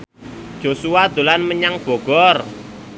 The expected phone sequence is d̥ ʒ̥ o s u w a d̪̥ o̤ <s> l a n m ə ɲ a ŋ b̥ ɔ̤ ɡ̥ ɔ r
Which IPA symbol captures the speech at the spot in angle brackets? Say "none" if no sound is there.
none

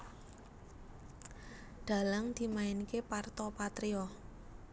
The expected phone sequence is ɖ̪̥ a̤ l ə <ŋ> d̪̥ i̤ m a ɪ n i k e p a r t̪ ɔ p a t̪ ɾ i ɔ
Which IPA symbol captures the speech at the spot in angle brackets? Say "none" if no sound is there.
ŋ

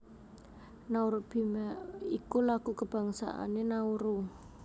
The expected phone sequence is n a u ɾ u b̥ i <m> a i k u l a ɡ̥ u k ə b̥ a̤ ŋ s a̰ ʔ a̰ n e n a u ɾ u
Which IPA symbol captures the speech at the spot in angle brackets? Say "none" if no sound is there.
m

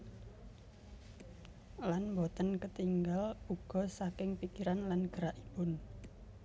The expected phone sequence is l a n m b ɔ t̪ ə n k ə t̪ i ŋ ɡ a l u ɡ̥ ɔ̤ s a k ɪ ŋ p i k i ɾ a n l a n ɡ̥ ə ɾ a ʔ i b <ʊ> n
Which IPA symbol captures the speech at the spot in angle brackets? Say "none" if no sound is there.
ʊ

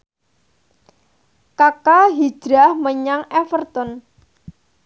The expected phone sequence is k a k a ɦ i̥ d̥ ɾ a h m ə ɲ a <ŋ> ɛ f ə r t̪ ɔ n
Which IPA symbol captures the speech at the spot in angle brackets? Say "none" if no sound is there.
ŋ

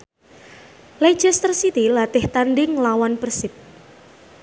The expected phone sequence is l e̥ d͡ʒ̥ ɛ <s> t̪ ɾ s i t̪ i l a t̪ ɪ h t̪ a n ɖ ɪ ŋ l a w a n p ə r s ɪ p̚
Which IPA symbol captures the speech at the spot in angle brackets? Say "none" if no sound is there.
s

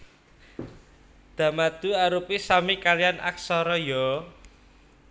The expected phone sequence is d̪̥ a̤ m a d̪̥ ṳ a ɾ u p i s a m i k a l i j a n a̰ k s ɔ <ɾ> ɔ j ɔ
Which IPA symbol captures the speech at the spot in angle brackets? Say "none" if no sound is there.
ɾ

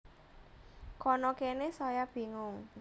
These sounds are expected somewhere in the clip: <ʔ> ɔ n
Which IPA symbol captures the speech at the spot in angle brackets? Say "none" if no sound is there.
k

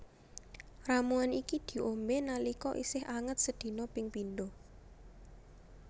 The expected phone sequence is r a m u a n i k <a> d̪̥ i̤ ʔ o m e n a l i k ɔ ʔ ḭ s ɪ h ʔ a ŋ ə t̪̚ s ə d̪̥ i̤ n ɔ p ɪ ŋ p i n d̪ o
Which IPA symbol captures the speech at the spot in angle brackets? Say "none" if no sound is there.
i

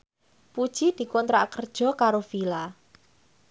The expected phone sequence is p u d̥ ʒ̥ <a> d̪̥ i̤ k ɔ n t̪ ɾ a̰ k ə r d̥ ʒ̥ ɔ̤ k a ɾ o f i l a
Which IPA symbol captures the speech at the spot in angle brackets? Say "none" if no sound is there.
i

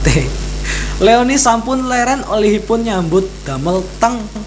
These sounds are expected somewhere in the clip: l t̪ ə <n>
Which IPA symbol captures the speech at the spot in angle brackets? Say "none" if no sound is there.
ŋ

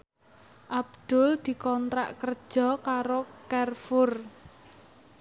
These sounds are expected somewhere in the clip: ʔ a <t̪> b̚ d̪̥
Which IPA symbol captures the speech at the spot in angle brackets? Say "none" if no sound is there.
none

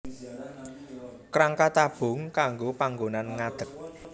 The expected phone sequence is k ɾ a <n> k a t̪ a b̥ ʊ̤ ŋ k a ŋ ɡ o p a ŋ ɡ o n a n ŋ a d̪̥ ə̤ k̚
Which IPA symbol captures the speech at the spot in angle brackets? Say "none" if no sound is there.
ŋ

